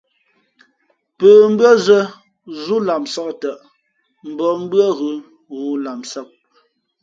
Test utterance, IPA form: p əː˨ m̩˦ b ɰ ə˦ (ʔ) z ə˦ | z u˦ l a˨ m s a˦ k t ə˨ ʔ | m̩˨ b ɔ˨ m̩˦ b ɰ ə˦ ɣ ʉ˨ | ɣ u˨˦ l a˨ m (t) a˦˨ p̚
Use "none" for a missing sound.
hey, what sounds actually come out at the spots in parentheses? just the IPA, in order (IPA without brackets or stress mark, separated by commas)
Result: none, s